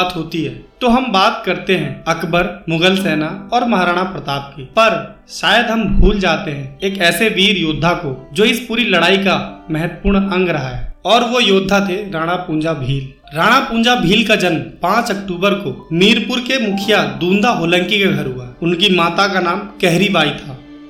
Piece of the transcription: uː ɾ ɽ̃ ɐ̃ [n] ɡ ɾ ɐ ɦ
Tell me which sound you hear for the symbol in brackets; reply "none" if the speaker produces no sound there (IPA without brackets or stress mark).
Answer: ŋ